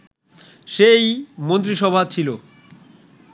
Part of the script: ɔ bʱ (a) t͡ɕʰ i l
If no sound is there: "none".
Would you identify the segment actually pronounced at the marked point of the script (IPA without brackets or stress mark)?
a